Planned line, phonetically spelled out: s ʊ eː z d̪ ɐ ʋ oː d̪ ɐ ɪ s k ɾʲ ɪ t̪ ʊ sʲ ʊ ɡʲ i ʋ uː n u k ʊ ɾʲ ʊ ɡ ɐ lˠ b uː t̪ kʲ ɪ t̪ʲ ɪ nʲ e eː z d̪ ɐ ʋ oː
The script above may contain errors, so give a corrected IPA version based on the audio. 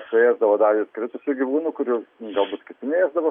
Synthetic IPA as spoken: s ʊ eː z d̪ ɐ ʋ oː d̪ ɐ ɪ s k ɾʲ ɪ t̪ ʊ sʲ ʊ ɡʲ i ʋ uː n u k ʊ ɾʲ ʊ ɡ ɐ lˠ b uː t̪ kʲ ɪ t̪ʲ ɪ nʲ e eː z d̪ ɐ ʋ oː